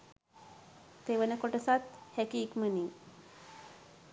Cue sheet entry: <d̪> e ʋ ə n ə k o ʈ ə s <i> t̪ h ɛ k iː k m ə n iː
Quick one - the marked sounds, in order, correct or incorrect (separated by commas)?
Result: incorrect, incorrect